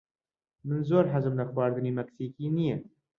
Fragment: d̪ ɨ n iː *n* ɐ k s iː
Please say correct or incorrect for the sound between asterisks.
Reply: incorrect: m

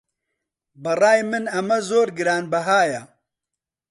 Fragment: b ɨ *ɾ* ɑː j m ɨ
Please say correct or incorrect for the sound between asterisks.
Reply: incorrect: r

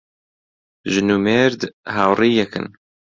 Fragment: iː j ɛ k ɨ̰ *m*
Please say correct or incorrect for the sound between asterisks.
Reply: incorrect: n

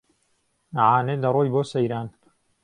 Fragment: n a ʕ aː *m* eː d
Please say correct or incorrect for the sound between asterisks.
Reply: incorrect: n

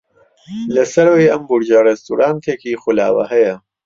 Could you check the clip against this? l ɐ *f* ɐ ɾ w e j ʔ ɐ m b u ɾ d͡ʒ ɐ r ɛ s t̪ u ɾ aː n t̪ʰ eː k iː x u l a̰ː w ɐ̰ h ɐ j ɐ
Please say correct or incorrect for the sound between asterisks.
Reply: incorrect: s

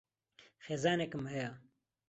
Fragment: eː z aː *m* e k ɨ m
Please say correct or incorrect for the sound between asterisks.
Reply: incorrect: n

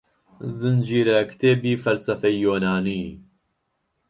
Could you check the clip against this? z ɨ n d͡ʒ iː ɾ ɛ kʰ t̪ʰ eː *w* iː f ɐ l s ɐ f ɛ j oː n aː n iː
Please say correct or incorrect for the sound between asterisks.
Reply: incorrect: b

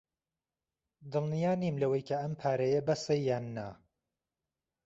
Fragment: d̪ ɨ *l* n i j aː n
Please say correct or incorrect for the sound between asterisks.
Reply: correct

